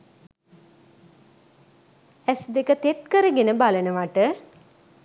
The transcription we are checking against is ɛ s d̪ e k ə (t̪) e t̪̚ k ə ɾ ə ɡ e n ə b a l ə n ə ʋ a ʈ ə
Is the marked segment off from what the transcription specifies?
no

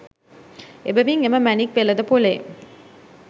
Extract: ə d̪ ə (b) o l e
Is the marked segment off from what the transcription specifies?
yes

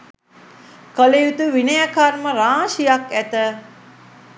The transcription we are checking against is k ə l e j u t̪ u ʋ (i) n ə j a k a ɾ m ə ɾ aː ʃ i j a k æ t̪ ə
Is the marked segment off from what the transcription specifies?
no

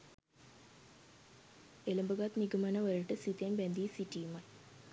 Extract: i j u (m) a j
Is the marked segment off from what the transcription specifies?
no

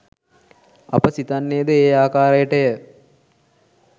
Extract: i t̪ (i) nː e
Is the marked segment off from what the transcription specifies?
yes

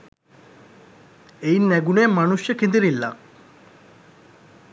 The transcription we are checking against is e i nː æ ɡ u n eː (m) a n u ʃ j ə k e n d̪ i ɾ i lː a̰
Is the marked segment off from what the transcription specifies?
no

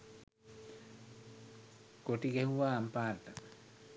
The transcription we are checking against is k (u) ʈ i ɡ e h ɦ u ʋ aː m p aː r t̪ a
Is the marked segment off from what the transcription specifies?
yes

